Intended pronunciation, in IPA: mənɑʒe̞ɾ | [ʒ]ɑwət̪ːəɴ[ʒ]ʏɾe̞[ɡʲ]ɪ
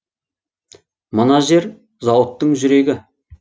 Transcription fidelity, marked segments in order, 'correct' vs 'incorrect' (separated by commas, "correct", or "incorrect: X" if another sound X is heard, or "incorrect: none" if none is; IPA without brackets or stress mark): incorrect: z, correct, correct